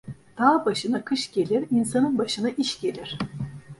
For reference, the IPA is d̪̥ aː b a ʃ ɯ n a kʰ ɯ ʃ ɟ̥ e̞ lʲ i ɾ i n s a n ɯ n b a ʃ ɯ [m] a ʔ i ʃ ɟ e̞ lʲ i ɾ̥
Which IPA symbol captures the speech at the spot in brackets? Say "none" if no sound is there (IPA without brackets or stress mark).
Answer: n